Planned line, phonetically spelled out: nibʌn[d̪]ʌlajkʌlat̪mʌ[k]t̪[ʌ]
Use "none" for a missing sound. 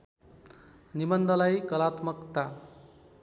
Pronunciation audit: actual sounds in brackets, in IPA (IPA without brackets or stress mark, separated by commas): d̪, k, a